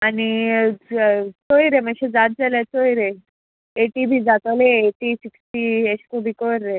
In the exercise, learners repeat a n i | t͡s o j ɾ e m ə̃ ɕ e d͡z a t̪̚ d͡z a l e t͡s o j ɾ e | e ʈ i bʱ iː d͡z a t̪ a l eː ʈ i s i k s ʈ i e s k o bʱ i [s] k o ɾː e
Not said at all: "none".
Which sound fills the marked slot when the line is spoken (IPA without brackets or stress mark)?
none